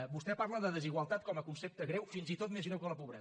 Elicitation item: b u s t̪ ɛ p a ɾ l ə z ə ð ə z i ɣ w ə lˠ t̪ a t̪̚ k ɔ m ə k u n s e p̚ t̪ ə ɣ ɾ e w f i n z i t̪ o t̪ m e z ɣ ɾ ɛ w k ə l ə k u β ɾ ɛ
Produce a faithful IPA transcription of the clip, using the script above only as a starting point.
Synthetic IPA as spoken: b u s t̪ ɛ p a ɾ l ə ð ə ð ə z i ɣ w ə lˠ t̪ a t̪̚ k ɔ m ə k u n s e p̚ t̪ ə ɣ ɾ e w f i n z i t̪ o t̪ m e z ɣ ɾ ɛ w k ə l ə p u β ɾ ɛ